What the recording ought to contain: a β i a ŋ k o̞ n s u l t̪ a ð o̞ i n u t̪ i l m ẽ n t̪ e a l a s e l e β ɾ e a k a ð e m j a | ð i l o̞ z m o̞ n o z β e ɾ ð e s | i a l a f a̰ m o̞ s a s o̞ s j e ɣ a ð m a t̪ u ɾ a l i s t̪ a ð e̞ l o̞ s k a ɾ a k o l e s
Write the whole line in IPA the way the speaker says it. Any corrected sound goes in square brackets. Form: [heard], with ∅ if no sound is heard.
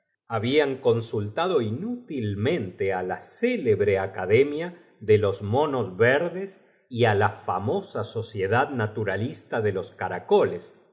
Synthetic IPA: a β i a ŋ k o̞ n s u l t̪ a ð o̞ i n u t̪ i l m ẽ n t̪ e a l a s e l e β ɾ e a k a ð e m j a | ð [e] l o̞ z m o̞ n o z β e ɾ ð e s | i a l a f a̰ m o̞ s a s o̞ s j e [ð] a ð [n] a t̪ u ɾ a l i s t̪ a ð e̞ l o̞ s k a ɾ a k o l e s